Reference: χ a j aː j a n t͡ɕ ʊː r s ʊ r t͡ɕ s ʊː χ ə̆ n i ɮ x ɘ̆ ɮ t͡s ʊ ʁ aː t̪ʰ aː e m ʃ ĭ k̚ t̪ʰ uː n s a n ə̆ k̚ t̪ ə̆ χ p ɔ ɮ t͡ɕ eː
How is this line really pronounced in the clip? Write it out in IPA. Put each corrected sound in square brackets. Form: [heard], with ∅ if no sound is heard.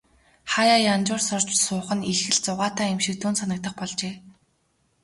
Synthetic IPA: χ a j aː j a n t͡ɕ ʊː r s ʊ r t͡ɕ s ʊː χ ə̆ n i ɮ x ɘ̆ ɮ t͡s ʊ ʁ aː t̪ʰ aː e m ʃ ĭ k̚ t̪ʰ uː n s a n ə̆ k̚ t̪ ə̆ χ p ɔ ɮ t͡ɕ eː